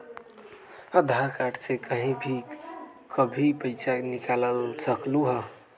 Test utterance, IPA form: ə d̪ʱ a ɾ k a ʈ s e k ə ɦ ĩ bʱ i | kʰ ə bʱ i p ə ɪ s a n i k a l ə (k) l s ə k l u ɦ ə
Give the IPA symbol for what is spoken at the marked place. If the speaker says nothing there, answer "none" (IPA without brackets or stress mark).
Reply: none